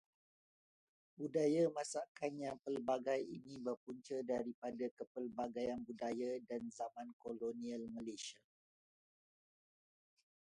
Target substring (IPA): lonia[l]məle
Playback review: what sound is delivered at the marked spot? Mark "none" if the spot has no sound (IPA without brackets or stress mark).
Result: l